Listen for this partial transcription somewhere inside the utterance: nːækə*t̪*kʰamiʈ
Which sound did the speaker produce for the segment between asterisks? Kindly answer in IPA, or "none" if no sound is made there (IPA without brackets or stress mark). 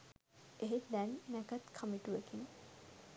t̪